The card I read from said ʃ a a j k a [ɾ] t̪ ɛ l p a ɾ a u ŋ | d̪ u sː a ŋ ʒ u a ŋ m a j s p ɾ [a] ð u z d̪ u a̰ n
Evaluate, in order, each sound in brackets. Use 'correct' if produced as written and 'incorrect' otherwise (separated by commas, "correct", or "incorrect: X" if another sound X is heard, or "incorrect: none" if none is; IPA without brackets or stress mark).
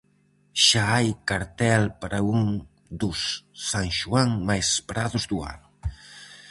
correct, correct